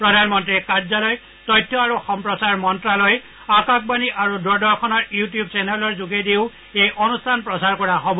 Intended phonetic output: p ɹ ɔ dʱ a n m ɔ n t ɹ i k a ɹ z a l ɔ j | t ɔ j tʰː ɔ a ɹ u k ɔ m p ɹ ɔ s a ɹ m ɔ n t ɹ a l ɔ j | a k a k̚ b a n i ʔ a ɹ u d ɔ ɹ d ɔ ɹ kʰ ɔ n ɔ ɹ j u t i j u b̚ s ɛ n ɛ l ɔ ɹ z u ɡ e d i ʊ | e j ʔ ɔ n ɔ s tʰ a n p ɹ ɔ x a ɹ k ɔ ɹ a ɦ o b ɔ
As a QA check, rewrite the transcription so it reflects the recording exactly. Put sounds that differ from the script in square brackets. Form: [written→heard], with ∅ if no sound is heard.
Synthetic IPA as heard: p ɹ ɔ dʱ a n m ɔ n t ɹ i k a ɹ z a l ɔ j | t ɔ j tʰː ɔ a ɹ u [k→x] ɔ m p ɹ ɔ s a ɹ m ɔ n t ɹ a l ɔ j | a k a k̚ b a n i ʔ a ɹ u d ɔ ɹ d ɔ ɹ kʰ ɔ n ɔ ɹ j u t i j u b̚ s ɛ n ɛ l ɔ ɹ z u ɡ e d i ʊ | e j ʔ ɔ n [ɔ→u] s tʰ a n p ɹ ɔ [x→s] a ɹ k ɔ ɹ a ɦ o b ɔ

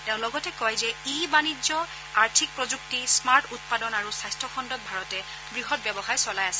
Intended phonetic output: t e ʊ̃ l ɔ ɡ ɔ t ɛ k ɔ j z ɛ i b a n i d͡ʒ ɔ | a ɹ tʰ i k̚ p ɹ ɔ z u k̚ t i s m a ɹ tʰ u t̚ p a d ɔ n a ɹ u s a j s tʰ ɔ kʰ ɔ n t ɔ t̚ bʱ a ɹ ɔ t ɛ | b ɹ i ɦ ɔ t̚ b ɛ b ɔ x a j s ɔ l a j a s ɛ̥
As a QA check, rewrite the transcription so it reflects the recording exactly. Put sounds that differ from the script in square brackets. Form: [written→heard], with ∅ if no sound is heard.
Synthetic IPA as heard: t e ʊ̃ l ɔ ɡ ɔ t ɛ k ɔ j z ɛ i b a n i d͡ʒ ɔ | a ɹ tʰ i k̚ p ɹ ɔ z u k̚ t i s m a ɹ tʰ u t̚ p a d ɔ n a ɹ u s a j s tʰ ɔ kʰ ɔ n [t→d] ɔ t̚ bʱ a ɹ ɔ t ɛ | b ɹ i ɦ ɔ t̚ b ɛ b ɔ x a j s ɔ l a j a s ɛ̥

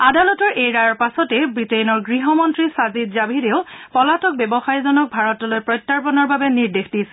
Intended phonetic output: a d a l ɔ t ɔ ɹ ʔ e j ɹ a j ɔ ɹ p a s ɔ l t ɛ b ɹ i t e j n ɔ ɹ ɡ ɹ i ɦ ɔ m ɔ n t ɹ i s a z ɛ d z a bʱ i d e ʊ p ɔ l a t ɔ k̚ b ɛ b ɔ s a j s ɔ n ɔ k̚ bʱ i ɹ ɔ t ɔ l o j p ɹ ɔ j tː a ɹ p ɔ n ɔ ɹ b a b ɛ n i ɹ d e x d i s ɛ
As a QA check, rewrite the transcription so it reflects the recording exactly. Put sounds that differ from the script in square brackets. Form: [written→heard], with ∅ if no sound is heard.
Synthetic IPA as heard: a d a l ɔ t ɔ ɹ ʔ e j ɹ a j ɔ ɹ p a s ɔ [l→∅] t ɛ b ɹ i t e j n ɔ ɹ ɡ ɹ i ɦ ɔ m ɔ n t ɹ i s a z [ɛ→i] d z a bʱ i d e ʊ p ɔ l a t ɔ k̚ b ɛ b ɔ [s→x] a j [s→z] ɔ n ɔ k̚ bʱ [i→a] ɹ ɔ t ɔ l o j p ɹ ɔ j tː a ɹ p ɔ n ɔ ɹ b a b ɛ n i ɹ d e x d i s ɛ

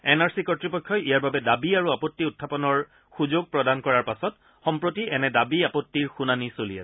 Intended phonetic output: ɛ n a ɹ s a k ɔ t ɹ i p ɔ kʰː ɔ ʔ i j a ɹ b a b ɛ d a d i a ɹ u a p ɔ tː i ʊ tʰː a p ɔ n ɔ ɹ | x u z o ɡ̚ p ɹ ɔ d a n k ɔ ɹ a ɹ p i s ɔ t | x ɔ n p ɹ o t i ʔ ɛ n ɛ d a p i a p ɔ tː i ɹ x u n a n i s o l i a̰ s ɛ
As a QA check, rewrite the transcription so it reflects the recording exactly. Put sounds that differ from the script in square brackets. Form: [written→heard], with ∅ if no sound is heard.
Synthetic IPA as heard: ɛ n a ɹ s [a→i] k ɔ t ɹ i p ɔ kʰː ɔ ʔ i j a ɹ b a b ɛ d a [d→b] i a ɹ u a p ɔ tː i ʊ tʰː a p ɔ n ɔ ɹ | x u z o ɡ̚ p ɹ ɔ d a n k ɔ ɹ a ɹ p [i→a] s ɔ t | x ɔ [n→m] p ɹ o t i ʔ ɛ n ɛ d a [p→b] i a p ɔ tː i ɹ x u n a n i s o l i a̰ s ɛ

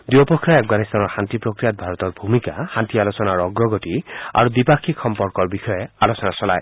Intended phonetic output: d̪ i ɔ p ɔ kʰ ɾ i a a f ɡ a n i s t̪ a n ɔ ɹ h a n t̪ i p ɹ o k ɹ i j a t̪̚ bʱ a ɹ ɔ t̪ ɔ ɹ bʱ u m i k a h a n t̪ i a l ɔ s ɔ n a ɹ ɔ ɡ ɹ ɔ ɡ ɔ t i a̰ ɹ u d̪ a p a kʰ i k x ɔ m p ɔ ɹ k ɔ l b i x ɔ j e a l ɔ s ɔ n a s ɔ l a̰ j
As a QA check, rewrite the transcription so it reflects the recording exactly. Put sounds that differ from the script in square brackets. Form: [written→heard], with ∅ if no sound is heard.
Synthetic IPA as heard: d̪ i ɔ p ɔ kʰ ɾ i a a f ɡ a n i s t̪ a n ɔ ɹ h a n t̪ i p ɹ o k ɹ i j a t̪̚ bʱ a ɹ ɔ t̪ ɔ ɹ bʱ u m i k a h a n t̪ i a l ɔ s ɔ n a ɹ ɔ ɡ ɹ ɔ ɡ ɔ t i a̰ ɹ u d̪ [a→i] p a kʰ i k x ɔ m p ɔ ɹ k ɔ [l→ɹ] b i x ɔ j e a l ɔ s ɔ n a s ɔ l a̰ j

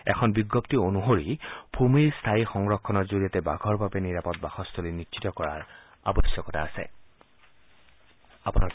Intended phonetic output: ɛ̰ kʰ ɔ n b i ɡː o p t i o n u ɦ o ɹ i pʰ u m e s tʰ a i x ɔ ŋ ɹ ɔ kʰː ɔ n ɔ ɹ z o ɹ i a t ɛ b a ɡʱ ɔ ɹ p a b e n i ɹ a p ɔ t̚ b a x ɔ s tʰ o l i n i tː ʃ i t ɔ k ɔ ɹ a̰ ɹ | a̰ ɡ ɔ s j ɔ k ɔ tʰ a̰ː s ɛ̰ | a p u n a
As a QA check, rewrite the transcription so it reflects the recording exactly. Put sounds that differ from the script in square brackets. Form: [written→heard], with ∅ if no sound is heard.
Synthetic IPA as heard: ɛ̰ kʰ ɔ n b i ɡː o p t i o n u ɦ o ɹ i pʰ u m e s tʰ a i x ɔ ŋ ɹ ɔ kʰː ɔ n ɔ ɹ z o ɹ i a t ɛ b a ɡʱ ɔ ɹ [p→b] a b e n i ɹ a p ɔ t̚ b a x ɔ s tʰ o l i n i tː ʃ i t ɔ k ɔ ɹ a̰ ɹ | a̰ [ɡ→b] ɔ s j ɔ k ɔ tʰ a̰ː s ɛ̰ | a p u n a

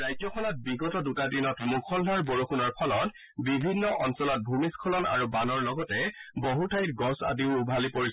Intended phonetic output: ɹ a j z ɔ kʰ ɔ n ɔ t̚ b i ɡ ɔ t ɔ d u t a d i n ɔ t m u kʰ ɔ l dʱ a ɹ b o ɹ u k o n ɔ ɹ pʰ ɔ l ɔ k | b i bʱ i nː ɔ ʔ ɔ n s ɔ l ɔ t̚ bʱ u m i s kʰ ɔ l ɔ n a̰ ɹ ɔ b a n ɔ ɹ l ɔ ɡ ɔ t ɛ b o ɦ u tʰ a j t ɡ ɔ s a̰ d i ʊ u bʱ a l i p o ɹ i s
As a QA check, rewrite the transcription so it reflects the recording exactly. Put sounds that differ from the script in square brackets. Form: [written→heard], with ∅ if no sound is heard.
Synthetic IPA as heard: ɹ a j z ɔ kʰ ɔ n ɔ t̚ b i ɡ ɔ t ɔ d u t a d i n ɔ t m u kʰ ɔ l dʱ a ɹ b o ɹ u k [o→u] n ɔ ɹ pʰ ɔ l ɔ [k→t] | b i bʱ i nː ɔ ʔ ɔ n s ɔ l ɔ t̚ bʱ u m i s kʰ ɔ l ɔ n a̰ ɹ [ɔ→u] b a n ɔ ɹ l ɔ ɡ ɔ t ɛ b o ɦ u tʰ a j t ɡ ɔ s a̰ d i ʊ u bʱ a l i p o ɹ i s

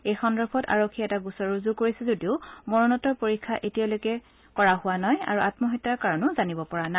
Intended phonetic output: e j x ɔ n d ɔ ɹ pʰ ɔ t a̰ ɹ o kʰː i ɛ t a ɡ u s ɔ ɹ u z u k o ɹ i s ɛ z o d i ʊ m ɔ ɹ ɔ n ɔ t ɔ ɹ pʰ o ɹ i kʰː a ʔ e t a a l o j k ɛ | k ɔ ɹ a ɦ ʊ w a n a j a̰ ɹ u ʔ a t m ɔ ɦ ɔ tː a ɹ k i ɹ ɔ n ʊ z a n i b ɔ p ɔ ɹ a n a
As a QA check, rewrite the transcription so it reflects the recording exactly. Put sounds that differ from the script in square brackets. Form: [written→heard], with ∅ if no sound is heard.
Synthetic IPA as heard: e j x ɔ n d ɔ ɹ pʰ ɔ t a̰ ɹ o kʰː i ɛ t a ɡ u s ɔ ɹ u z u k o ɹ i s ɛ z o d i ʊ m ɔ ɹ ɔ n ɔ t ɔ ɹ [pʰ→p] o ɹ i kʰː a ʔ e t [a→i] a l o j k ɛ | k ɔ ɹ a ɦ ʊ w a n a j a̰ ɹ u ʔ a t m ɔ ɦ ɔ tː a ɹ k [i→a] ɹ ɔ n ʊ z a n i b ɔ p ɔ ɹ a n a

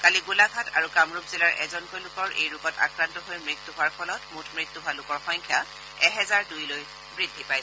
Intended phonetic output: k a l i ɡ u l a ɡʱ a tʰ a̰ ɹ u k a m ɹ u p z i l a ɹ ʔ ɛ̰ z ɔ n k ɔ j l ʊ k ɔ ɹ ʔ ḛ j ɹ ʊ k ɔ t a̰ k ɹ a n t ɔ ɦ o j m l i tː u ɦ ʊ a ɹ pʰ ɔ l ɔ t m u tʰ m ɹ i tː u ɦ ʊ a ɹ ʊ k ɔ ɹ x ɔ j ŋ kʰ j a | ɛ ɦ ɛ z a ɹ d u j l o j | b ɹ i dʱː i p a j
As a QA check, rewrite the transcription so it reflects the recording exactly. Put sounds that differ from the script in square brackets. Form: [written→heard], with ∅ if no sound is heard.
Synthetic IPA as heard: k a l i ɡ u l a ɡʱ a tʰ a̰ ɹ u k a m ɹ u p z i l a ɹ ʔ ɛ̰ z ɔ n k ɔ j l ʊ k ɔ ɹ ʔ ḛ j ɹ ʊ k ɔ t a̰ k ɹ a n t ɔ ɦ o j m [l→ɹ] i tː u ɦ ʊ a ɹ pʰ ɔ l ɔ t m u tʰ m ɹ i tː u ɦ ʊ a [ɹ→l] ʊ k ɔ ɹ x ɔ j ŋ kʰ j a | ɛ ɦ ɛ z a ɹ d u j l o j | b ɹ i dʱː i p a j

